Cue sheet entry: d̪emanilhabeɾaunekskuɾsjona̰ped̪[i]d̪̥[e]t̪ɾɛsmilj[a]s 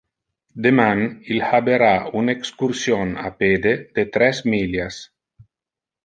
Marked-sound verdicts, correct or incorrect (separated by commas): incorrect, correct, correct